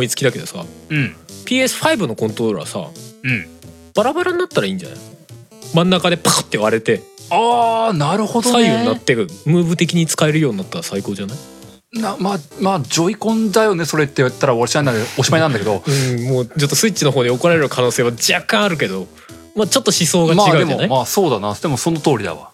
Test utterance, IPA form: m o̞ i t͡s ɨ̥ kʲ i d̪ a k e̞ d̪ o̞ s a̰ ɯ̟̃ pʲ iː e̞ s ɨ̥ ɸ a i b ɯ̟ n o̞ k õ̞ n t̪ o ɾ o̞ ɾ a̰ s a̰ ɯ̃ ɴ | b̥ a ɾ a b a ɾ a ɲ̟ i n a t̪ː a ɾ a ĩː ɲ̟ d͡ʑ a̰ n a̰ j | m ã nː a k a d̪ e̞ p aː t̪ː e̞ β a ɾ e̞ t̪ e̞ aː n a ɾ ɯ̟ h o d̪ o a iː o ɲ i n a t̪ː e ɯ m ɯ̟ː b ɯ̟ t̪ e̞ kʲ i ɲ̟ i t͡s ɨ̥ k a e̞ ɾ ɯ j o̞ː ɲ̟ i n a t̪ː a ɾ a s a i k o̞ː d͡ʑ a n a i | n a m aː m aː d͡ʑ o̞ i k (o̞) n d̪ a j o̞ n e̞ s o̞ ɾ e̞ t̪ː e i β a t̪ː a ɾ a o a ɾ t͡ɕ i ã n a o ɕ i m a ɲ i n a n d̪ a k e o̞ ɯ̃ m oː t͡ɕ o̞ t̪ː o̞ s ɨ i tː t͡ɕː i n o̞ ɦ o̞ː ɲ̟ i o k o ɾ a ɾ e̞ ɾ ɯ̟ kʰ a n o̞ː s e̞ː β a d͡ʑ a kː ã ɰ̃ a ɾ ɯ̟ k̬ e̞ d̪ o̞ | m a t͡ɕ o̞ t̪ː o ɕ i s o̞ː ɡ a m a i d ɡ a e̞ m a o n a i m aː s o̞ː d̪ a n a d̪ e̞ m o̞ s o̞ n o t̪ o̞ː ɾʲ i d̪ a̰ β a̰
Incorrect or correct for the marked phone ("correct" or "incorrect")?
incorrect